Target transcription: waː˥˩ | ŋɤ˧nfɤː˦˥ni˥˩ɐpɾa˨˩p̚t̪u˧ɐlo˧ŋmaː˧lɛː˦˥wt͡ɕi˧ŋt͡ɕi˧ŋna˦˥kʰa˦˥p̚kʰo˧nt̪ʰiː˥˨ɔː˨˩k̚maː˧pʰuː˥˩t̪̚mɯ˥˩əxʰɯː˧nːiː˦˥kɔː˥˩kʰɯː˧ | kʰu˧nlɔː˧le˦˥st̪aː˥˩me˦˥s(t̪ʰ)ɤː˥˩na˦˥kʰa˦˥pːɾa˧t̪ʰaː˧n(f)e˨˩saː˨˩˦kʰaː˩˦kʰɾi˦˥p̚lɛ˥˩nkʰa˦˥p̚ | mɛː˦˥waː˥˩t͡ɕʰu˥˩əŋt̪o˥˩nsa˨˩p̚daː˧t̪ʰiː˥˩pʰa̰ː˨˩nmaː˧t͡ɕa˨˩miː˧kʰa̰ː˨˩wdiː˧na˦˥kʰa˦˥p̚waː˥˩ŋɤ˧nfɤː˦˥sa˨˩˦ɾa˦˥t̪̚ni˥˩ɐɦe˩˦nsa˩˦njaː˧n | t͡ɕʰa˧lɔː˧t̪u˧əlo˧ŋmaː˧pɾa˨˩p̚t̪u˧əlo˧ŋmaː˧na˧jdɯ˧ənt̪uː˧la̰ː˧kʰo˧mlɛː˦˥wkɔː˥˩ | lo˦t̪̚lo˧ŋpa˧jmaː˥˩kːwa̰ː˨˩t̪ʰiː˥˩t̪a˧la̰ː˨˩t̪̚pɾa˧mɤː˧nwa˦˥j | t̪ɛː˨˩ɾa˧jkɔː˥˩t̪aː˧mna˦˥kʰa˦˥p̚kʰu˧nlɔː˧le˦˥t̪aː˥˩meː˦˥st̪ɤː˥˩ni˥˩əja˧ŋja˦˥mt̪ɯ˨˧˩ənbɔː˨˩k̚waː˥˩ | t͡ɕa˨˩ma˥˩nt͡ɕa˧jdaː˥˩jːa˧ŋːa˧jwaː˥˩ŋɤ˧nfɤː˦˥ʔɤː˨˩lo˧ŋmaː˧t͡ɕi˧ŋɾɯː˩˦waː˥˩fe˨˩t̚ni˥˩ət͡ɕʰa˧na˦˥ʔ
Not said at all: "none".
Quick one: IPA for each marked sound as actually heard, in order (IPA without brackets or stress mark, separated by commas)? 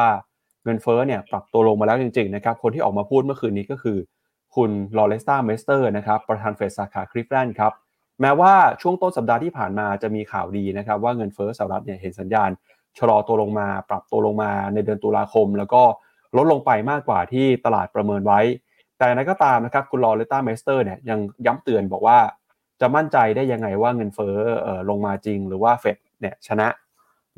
t̪, f